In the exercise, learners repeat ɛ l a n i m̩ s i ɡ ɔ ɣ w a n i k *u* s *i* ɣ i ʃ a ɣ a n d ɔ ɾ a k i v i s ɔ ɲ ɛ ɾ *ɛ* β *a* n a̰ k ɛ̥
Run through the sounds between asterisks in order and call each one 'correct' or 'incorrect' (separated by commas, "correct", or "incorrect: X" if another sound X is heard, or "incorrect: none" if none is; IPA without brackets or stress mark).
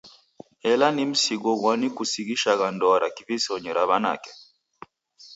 correct, correct, incorrect: a, correct